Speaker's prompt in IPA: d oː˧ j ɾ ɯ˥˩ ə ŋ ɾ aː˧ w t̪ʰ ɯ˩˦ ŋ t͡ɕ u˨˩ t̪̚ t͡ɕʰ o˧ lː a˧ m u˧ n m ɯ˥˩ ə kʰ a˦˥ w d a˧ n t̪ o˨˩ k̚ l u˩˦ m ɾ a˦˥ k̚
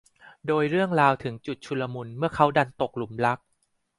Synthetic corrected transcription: d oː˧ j ɾ ɯ˥˩ ə ŋ ɾ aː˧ w t̪ʰ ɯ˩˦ ŋ t͡ɕ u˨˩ t̪̚ t͡ɕʰ u˧ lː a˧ m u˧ n m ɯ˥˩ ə kʰ a˦˥ w d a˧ n t̪ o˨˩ k̚ l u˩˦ m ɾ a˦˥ k̚